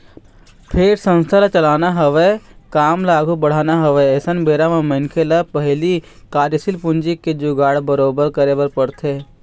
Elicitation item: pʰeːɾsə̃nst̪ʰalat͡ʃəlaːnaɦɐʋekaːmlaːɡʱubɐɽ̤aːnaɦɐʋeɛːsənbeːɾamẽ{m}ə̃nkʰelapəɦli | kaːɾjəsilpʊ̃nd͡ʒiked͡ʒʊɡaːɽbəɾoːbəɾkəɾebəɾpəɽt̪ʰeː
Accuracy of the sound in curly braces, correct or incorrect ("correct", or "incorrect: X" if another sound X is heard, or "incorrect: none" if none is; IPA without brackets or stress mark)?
correct